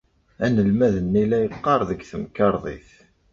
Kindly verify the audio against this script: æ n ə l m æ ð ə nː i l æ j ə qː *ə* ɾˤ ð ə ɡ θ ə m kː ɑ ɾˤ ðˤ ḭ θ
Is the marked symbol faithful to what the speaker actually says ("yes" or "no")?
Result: no